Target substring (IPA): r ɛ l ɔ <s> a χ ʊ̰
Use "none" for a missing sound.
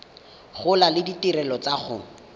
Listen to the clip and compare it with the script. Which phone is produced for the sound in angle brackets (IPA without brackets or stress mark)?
t͡s